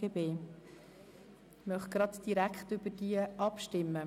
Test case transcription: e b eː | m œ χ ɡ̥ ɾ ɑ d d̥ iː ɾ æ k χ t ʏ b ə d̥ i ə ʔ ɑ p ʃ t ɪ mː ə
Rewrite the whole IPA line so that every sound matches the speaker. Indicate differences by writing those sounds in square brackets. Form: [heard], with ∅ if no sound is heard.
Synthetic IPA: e b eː | m œ χ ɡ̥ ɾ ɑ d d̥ [i] ɾ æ k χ t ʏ b ə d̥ i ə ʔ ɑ p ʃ t ɪ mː ə